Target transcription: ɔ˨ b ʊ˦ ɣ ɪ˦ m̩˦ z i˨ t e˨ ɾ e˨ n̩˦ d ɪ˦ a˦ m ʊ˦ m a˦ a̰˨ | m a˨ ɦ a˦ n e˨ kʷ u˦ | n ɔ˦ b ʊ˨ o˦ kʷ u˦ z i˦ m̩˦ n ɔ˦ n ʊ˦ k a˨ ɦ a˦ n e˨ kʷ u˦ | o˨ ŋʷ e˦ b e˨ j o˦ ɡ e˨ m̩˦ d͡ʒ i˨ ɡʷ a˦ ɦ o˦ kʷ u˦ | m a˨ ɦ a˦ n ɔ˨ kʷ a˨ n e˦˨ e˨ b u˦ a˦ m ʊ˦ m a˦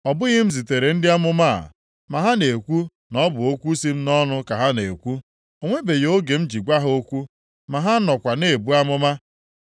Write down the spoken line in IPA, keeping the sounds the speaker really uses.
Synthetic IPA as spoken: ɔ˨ b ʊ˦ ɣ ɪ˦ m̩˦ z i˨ t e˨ ɾ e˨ n̩˦ d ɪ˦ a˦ m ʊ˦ m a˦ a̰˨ | m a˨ ɦ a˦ n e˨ kʷ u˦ | n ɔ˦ b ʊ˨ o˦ kʷ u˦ s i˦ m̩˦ n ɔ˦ n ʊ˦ k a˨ ɦ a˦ n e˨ kʷ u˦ | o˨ ŋʷ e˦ b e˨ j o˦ ɡ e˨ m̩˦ d͡ʒ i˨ ɡʷ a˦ ɦ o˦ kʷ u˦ | m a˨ ɦ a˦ n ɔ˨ kʷ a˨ n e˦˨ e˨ b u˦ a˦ m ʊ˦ m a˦